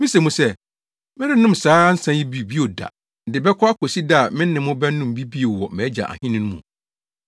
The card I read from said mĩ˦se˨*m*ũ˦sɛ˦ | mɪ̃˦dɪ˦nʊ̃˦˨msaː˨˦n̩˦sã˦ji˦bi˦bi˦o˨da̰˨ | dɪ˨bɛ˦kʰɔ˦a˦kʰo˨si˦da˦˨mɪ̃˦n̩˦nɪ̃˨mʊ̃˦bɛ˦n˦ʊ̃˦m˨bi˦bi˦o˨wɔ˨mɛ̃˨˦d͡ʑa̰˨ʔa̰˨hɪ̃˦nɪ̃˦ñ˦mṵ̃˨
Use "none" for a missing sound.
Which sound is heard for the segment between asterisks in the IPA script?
m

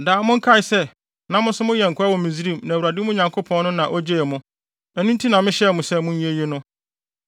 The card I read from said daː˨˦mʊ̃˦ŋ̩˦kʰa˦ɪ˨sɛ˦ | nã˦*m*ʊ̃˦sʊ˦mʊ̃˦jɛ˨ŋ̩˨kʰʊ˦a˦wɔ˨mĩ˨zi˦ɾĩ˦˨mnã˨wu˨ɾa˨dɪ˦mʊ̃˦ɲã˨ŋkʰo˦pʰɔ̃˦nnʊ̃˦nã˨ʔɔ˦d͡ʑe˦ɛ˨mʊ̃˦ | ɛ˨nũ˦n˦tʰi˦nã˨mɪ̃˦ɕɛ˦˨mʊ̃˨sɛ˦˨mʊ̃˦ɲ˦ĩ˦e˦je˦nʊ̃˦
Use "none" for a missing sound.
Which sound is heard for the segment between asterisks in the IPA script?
m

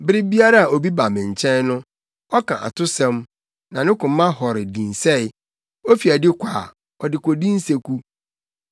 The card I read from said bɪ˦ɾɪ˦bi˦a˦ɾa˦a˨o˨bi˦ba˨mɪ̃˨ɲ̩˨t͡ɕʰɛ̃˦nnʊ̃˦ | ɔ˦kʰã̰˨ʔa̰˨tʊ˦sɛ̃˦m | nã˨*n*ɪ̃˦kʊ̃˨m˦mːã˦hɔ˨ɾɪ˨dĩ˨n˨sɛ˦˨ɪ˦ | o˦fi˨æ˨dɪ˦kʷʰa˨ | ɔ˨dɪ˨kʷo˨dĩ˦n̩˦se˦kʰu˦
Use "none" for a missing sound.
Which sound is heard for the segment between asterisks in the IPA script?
n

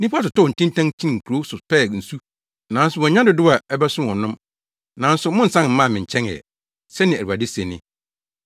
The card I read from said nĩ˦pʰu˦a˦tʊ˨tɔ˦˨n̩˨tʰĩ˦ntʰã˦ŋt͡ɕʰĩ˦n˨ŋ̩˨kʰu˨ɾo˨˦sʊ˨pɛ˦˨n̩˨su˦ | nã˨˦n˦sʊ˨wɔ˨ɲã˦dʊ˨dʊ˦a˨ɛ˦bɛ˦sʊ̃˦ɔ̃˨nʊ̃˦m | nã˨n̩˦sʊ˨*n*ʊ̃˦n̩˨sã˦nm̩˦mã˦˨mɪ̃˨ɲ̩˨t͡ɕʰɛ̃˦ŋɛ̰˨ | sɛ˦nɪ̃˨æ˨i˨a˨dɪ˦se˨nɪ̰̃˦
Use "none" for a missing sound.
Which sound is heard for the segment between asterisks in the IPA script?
m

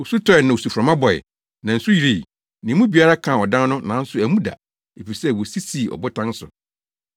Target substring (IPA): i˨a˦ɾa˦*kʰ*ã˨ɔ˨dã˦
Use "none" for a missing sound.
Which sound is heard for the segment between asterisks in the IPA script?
kʰ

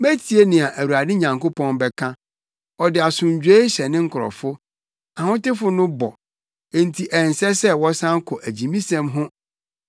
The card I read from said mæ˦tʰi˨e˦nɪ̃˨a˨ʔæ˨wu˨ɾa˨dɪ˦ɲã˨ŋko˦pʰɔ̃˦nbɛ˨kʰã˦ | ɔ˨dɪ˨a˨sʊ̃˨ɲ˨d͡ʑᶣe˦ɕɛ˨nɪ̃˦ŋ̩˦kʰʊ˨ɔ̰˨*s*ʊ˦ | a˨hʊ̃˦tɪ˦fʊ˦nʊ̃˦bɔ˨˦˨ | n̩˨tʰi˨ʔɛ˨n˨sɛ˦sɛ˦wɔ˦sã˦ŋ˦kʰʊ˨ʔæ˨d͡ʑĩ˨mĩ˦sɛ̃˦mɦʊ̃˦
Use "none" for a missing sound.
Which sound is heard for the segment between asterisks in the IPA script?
f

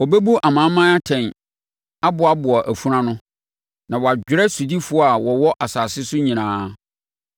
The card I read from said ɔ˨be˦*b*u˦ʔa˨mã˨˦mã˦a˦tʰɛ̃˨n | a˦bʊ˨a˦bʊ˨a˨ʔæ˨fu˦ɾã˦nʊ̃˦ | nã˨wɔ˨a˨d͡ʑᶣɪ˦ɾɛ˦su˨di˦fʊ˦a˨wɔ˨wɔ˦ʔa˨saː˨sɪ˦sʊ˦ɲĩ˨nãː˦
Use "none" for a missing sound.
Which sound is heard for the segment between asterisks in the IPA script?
b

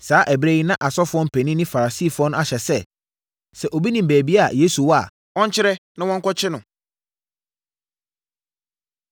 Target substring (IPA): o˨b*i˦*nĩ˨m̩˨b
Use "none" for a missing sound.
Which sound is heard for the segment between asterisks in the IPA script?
i˦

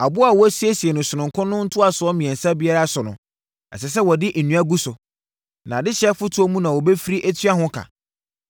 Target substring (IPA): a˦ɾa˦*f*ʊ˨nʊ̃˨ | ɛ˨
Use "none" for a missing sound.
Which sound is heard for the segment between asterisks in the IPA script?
s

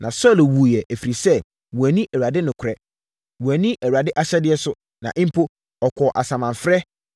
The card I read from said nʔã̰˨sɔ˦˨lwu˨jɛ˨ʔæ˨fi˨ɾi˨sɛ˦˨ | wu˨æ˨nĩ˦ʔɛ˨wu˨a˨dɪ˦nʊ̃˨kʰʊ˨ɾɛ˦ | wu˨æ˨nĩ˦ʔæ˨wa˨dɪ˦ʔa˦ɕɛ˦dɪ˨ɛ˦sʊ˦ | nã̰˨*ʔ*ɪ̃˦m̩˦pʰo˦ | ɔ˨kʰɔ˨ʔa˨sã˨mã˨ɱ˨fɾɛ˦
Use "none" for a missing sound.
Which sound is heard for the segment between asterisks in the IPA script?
ʔ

